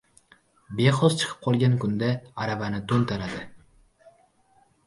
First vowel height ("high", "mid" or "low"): mid